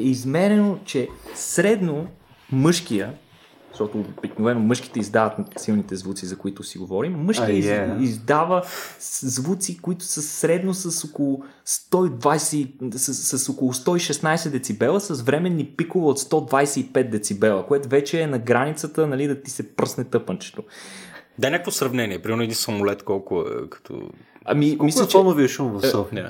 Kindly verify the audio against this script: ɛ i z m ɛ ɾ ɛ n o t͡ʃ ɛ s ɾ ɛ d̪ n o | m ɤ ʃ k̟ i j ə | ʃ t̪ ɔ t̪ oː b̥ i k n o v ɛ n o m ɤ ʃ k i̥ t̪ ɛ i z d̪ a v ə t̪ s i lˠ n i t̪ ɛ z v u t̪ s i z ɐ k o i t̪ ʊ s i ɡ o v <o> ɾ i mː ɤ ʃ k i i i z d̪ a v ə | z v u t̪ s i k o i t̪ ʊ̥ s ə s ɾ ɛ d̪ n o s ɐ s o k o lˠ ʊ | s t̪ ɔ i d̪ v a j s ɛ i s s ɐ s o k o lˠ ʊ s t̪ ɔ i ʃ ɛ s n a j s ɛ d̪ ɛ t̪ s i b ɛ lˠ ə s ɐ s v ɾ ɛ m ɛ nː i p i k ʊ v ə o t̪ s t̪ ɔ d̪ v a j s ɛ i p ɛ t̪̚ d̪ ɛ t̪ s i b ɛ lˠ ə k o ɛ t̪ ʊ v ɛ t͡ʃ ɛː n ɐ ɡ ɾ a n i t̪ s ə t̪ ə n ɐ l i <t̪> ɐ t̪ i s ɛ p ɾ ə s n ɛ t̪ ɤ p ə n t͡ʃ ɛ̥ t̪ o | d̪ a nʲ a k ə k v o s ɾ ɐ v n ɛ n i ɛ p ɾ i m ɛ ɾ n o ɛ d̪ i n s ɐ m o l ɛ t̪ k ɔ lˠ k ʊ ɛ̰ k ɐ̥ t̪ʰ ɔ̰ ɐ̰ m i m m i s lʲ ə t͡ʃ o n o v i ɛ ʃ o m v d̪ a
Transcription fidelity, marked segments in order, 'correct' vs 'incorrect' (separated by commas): incorrect, incorrect